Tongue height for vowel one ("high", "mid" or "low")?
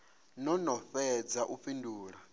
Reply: mid